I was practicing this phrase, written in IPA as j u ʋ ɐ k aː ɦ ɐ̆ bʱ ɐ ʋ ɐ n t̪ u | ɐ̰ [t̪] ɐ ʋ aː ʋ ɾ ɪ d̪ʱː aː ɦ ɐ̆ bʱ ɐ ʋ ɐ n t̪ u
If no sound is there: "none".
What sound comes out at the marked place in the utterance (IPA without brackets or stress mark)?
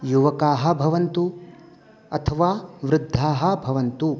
t̪ʰ